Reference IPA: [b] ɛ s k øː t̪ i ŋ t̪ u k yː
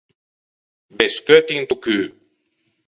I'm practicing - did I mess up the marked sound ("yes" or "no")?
no